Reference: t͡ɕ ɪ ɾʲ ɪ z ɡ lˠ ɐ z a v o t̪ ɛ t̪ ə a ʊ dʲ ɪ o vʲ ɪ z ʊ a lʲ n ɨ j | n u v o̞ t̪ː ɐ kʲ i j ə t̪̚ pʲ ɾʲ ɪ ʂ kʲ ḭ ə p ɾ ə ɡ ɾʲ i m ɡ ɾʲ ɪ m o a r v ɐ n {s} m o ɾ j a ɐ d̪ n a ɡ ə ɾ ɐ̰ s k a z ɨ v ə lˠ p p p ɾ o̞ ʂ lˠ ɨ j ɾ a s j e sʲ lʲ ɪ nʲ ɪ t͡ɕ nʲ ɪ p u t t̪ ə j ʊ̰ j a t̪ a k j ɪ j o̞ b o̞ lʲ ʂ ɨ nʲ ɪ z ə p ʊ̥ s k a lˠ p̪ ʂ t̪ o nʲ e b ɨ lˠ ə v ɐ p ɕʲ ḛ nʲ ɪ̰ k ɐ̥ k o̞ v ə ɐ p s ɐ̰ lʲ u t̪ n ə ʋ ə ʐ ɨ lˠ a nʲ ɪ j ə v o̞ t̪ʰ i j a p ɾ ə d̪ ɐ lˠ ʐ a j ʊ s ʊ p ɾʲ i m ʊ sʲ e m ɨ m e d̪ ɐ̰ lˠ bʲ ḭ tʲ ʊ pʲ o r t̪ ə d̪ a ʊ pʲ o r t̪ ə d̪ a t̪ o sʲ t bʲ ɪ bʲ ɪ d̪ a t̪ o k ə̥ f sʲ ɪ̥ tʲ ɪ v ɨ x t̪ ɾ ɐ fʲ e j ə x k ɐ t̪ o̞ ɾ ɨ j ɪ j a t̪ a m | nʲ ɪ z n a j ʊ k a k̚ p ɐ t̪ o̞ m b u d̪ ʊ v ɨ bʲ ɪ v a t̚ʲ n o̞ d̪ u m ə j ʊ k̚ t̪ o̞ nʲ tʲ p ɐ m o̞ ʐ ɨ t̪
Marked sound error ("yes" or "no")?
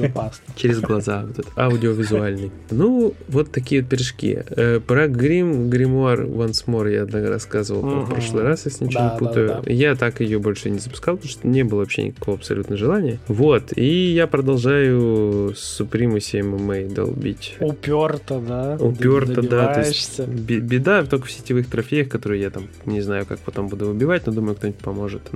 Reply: no